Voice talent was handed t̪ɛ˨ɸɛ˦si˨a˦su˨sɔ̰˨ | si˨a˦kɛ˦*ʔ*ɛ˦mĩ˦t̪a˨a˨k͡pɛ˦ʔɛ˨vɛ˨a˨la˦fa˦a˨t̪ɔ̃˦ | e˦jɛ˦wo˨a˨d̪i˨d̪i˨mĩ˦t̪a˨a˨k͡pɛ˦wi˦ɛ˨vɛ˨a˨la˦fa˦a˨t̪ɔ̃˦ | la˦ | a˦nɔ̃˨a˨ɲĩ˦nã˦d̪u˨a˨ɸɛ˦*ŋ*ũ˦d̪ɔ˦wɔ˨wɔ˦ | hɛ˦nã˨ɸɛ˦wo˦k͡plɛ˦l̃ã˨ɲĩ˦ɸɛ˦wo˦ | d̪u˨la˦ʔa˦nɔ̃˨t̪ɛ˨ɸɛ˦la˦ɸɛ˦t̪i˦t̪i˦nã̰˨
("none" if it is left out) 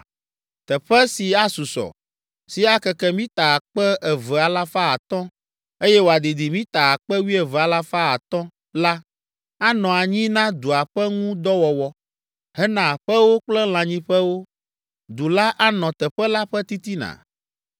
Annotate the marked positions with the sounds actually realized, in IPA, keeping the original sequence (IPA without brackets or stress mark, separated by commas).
k, ŋ